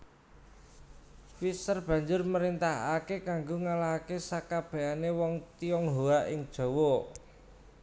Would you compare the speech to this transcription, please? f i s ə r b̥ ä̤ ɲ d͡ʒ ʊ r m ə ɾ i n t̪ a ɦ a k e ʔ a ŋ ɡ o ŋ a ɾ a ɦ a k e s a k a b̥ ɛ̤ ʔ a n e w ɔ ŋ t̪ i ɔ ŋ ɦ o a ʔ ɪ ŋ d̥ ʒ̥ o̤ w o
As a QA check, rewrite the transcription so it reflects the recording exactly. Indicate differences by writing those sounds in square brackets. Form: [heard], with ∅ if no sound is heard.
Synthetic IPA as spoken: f i s ə r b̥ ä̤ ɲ d͡ʒ ʊ r m ə ɾ i n t̪ a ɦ a k e [k] a ŋ ɡ o ŋ a [l] a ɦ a k e s a k a b̥ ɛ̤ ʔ a n e w ɔ ŋ t̪ i ɔ ŋ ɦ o a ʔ ɪ ŋ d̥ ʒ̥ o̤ w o